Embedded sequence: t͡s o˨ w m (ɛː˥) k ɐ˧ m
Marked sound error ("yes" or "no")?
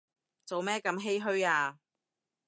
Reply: no